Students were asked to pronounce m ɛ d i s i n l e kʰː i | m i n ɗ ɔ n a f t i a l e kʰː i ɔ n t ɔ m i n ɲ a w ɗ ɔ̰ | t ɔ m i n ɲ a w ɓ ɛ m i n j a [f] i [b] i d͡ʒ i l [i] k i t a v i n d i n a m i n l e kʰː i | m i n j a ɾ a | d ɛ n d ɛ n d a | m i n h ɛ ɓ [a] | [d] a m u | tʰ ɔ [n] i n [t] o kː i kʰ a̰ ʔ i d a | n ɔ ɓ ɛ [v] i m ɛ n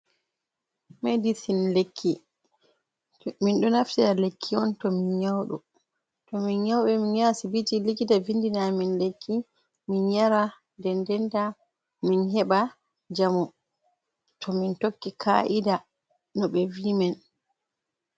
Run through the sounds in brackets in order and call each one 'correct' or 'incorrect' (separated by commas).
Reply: incorrect, correct, correct, correct, incorrect, incorrect, correct, correct